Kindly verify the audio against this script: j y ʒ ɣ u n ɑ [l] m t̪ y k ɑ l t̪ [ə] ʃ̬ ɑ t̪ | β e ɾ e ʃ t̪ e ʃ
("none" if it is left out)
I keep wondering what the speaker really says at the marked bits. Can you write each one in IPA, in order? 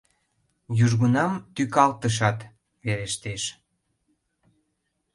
none, ə

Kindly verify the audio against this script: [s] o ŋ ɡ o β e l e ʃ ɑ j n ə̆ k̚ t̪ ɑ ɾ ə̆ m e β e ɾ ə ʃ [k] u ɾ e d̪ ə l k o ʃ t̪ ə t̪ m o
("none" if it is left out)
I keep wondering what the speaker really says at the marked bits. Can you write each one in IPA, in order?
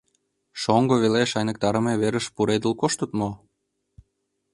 ʃ, p

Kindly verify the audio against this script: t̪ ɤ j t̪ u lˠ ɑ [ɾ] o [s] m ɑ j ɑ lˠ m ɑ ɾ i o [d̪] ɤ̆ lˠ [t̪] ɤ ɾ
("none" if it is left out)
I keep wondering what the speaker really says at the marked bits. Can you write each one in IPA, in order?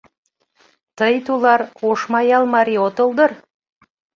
ɾ, ʃ, t̪, d̪

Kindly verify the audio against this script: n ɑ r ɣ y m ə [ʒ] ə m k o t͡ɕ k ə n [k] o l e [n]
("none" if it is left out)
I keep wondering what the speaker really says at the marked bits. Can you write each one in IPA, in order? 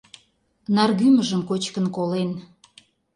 ʒ, k, n

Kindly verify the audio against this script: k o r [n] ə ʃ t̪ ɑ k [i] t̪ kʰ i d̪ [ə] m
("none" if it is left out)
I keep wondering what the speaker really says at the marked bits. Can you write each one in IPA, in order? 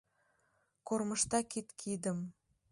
m, i, ə

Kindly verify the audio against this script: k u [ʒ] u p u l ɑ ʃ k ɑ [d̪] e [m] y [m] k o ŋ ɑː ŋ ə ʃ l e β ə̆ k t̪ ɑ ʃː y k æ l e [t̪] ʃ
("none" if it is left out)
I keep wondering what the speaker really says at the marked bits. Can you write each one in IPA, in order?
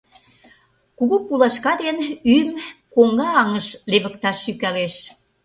ɣ, d̪, n, m, none

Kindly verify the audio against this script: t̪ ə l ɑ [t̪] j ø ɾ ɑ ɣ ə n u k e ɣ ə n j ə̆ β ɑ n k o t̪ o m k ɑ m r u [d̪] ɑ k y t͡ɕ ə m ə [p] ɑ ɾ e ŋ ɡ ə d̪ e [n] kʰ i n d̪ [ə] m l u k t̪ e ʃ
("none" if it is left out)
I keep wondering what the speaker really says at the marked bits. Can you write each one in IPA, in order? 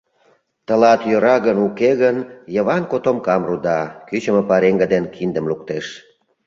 t̪, d̪, p, n, ə

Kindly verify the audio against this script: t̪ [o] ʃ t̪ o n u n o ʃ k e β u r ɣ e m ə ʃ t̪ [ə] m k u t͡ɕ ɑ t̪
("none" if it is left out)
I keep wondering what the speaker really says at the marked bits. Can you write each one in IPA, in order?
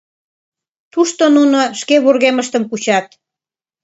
u, ə

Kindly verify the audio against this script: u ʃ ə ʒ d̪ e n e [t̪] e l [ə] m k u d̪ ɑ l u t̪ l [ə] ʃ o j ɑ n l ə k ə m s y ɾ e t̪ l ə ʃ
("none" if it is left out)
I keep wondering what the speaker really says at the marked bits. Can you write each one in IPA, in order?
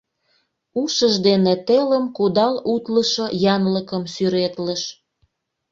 t̪, ə, ə

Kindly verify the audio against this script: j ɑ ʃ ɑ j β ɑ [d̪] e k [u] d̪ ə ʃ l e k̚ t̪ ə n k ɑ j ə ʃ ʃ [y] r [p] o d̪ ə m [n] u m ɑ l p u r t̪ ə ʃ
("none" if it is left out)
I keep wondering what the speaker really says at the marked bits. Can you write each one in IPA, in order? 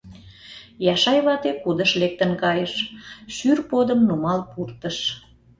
t̪, u, y, p, n

